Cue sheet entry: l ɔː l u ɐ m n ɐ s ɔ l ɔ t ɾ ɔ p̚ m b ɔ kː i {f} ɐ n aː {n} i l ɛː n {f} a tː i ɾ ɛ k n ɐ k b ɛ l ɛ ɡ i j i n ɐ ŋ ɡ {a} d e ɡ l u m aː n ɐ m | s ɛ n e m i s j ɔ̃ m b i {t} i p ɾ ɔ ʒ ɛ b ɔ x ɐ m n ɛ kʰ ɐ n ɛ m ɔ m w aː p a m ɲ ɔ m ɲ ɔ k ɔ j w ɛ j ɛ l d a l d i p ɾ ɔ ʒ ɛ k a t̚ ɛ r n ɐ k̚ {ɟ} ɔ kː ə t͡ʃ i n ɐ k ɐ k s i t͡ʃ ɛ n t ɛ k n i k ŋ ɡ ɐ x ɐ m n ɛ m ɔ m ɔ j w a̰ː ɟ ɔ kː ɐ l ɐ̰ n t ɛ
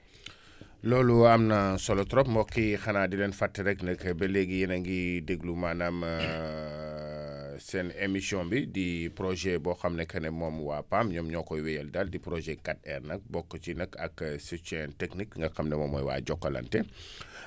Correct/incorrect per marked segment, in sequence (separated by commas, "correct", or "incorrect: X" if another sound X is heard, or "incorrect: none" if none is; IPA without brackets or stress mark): incorrect: x, incorrect: d, correct, incorrect: i, incorrect: d, incorrect: b